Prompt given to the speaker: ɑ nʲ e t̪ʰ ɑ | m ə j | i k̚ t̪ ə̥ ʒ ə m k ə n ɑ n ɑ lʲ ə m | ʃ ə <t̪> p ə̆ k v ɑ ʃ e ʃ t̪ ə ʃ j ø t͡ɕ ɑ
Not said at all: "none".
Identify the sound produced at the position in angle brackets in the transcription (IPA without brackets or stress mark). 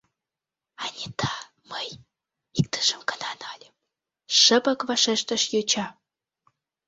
none